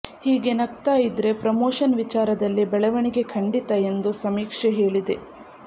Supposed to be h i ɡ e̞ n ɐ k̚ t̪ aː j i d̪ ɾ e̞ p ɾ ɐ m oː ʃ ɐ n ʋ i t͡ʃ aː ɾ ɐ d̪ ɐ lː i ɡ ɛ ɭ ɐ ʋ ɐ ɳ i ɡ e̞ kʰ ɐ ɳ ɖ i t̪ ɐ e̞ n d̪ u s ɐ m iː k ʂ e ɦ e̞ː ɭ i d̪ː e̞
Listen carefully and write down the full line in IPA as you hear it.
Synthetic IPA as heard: h iː ɡ e̞ n ɐ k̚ t̪ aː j i d̪ ɾ e̞ p ɾ ɐ m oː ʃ ɐ n ʋ i t͡ʃ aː ɾ ɐ d̪ ɐ lː i b ɛ ɭ ɐ ʋ ɐ ɳ i ɡ e̞ kʰ ɐ ɳ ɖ i t̪ ɐ e̞ n d̪ u s ɐ m iː k ʂ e ɦ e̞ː ɭ i d̪ e̞